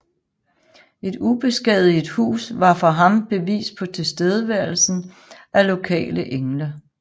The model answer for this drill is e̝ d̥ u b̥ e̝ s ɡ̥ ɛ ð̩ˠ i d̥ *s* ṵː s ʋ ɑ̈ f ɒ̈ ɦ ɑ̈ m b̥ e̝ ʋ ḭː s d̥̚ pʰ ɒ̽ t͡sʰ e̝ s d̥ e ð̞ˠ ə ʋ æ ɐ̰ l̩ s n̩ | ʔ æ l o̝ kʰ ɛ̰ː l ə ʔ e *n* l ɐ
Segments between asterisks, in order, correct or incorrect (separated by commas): incorrect, incorrect